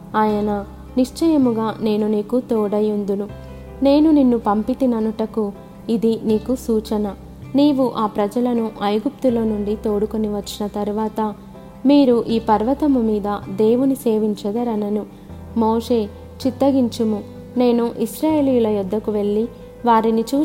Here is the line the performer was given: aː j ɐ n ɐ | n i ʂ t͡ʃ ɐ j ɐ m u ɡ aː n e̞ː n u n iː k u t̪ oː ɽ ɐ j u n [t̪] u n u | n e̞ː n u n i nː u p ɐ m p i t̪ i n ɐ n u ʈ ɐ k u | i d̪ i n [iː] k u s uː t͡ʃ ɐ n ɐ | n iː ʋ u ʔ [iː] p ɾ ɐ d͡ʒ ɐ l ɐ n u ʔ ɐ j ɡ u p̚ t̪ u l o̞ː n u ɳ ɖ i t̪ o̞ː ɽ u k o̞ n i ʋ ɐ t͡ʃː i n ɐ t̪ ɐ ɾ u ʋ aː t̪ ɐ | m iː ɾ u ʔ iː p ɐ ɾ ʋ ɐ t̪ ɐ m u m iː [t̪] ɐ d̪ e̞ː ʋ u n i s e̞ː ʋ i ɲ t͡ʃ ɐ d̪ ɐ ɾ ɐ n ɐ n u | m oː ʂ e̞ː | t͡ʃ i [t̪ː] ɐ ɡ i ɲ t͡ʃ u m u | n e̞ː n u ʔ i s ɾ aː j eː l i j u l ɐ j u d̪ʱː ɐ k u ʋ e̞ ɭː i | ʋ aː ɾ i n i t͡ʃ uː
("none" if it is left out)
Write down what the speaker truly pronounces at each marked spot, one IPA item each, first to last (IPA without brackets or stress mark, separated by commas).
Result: d̪, iː, aː, d̪, t̪ː